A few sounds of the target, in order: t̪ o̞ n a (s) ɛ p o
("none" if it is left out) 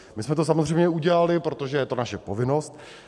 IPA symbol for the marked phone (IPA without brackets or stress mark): ʃ